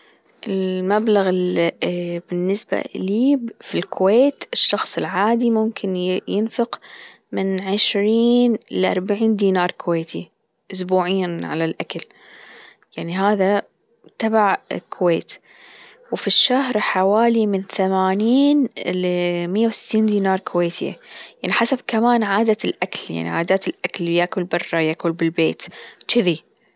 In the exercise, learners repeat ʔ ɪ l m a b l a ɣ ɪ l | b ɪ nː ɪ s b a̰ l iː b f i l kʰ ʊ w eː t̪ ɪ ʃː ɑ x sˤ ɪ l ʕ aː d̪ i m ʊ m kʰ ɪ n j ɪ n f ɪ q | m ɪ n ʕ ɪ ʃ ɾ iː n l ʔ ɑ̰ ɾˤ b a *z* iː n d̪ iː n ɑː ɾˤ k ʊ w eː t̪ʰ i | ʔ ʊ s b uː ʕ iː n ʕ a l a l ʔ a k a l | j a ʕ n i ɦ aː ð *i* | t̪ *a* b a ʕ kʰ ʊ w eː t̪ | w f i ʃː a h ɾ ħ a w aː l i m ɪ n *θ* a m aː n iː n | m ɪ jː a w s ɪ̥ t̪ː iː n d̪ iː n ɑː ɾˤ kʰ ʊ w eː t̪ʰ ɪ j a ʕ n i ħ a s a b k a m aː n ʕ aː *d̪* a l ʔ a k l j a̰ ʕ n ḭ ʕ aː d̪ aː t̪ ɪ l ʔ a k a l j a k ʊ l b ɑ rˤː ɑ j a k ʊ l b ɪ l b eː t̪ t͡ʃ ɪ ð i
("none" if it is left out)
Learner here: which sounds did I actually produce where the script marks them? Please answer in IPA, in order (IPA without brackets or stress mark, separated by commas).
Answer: ʕ, a, a, θ, d̪